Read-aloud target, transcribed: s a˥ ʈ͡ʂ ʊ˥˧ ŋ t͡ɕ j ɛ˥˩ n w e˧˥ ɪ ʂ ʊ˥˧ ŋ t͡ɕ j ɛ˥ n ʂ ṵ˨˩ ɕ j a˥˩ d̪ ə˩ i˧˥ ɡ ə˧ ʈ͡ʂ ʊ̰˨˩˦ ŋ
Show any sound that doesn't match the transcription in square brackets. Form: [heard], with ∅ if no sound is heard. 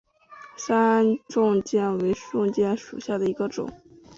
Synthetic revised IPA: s a˥ ʈ͡ʂ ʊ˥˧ ŋ t͡ɕ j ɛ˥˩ n w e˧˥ ɪ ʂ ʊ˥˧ ŋ t͡ɕ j [ɛ˥˩] n ʂ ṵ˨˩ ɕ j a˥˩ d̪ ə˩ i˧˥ ɡ ə˧ ʈ͡ʂ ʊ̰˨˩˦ ŋ

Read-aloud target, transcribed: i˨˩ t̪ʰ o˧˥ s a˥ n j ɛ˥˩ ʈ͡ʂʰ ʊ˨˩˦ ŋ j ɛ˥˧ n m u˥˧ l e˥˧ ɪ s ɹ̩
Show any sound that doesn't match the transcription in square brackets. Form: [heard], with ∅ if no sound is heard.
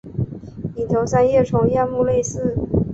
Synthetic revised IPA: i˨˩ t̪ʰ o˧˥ s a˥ n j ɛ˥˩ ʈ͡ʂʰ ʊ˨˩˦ ŋ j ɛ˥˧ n m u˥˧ l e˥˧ ɪ s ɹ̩

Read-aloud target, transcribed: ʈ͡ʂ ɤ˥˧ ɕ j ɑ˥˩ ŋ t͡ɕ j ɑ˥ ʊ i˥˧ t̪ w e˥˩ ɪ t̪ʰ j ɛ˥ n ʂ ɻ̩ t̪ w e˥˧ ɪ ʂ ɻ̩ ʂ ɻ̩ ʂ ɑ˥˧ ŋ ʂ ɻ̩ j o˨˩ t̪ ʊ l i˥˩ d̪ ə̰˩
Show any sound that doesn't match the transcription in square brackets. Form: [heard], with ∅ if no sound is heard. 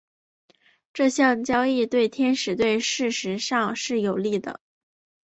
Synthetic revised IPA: ʈ͡ʂ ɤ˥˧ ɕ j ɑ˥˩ ŋ t͡ɕ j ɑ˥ ʊ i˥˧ t̪ w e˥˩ ɪ t̪ʰ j ɛ˥ n ʂ ɻ̩ t̪ w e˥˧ ɪ ʂ ɻ̩ ʂ ɻ̩ ʂ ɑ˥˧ ŋ ʂ ɻ̩ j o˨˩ [∅] ʊ l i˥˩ d̪ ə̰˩

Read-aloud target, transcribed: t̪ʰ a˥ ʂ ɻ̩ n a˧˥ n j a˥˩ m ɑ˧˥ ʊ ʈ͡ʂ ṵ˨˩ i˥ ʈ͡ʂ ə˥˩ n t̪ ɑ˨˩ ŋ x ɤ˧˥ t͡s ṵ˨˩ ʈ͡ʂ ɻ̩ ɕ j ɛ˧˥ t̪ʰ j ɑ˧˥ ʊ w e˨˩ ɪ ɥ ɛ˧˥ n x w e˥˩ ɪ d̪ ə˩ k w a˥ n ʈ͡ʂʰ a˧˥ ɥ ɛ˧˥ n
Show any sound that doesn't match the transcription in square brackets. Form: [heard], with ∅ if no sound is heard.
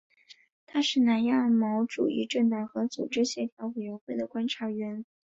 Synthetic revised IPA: t̪ʰ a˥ ʂ ɻ̩ n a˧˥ n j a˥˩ m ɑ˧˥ ʊ ʈ͡ʂ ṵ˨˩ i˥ ʈ͡ʂ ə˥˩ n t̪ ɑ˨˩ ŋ x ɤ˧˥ t͡s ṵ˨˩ ʈ͡ʂ ɻ̩ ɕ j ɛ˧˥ t̪ʰ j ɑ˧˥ ʊ w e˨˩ ɪ ɥ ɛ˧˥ n x w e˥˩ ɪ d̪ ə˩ k w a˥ n ʈ͡ʂʰ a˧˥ ɥ ɛ˧˥ n

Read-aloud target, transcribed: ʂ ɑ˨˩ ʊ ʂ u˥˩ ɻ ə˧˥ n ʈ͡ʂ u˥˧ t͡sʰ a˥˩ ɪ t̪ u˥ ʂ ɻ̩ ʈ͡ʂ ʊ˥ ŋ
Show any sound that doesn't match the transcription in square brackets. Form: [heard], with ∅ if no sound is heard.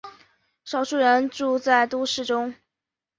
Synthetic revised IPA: ʂ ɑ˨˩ ʊ ʂ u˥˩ ɻ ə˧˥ n ʈ͡ʂ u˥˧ [t͡s] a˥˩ ɪ t̪ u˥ ʂ ɻ̩ ʈ͡ʂ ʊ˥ ŋ

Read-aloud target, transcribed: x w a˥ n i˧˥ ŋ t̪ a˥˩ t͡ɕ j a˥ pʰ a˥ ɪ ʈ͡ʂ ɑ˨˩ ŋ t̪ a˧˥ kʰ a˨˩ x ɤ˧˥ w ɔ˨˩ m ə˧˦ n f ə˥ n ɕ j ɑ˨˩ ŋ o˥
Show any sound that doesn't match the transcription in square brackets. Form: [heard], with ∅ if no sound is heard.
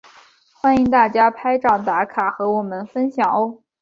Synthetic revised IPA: x w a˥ n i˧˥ ŋ t̪ a˥˩ t͡ɕ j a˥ pʰ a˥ ɪ ʈ͡ʂ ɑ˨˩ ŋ t̪ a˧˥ kʰ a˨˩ x ɤ˧˥ w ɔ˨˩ m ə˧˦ n f ə˥ n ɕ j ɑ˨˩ ŋ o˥

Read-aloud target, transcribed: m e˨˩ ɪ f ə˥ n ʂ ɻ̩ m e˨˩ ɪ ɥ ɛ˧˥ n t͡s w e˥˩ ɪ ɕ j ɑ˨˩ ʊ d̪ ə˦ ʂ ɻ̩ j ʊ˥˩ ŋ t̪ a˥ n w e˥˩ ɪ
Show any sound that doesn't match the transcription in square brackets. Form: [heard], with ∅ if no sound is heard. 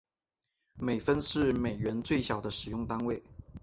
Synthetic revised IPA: m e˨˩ ɪ f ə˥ n ʂ ɻ̩ m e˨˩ ɪ ɥ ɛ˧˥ n t͡s w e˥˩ ɪ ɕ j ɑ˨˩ ʊ d̪ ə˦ ʂ ɻ̩ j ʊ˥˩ ŋ t̪ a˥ n w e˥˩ ɪ

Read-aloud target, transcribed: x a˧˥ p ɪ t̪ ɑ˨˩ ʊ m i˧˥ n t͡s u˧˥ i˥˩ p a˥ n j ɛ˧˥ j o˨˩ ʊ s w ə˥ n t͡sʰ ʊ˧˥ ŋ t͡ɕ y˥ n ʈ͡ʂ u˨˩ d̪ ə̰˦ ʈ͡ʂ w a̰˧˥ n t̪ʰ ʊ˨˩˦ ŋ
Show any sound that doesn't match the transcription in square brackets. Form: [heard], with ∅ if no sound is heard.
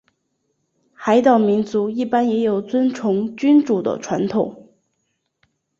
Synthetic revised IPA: x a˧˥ [∅] ɪ t̪ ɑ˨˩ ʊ m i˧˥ n t͡s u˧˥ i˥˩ p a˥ n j ɛ˧˥ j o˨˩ ʊ [t͡s] w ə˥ n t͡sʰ ʊ˧˥ ŋ t͡ɕ y˥ n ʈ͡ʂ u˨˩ d̪ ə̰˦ [ʈ͡ʂʰ] w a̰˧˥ n t̪ʰ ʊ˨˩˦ ŋ

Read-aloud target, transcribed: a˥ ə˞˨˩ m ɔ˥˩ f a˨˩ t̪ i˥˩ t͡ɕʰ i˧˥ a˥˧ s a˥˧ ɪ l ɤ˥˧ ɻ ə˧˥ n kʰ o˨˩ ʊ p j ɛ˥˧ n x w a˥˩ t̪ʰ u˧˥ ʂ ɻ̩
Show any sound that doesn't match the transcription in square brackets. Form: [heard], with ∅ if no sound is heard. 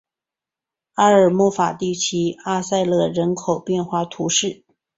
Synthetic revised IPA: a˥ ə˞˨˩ m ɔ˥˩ f a˨˩ t̪ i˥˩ t͡ɕʰ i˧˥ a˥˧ s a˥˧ ɪ l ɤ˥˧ ɻ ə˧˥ n kʰ o˨˩ ʊ p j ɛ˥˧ n x w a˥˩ t̪ʰ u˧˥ ʂ ɻ̩

